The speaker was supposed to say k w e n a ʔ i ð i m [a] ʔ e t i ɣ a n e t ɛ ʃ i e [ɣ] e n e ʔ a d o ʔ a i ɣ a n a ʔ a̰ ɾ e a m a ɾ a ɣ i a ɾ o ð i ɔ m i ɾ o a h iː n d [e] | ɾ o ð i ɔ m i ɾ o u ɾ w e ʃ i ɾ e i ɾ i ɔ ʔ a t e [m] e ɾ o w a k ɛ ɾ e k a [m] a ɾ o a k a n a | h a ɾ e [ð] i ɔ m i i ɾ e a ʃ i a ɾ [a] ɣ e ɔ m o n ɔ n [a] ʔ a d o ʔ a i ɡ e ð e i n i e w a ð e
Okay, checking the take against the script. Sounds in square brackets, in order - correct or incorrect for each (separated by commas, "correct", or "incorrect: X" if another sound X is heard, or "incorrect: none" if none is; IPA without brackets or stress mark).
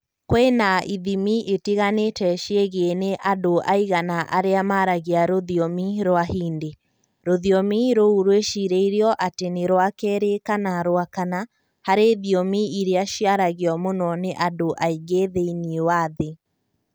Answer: incorrect: i, correct, correct, incorrect: n, incorrect: n, correct, correct, incorrect: e